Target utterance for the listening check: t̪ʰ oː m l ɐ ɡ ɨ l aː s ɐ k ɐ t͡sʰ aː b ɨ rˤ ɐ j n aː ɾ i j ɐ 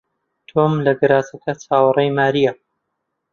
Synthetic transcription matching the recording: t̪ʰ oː m l ɐ ɡ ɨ ɾ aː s ɐ k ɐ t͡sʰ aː w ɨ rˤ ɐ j m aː ɾ i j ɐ